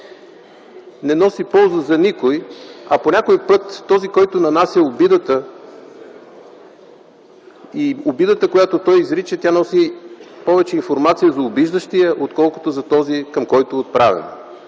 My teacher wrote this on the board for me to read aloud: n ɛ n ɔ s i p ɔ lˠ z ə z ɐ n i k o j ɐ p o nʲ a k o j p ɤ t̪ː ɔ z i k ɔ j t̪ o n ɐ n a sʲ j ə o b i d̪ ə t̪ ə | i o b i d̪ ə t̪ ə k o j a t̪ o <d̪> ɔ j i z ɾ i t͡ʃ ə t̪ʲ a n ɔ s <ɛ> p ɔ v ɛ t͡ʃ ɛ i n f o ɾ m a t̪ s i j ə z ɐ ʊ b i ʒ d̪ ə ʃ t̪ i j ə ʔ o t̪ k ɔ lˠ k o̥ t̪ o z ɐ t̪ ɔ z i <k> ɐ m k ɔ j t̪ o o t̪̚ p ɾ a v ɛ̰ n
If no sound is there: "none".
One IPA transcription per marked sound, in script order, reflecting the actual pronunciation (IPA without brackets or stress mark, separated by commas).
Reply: t̪, i, k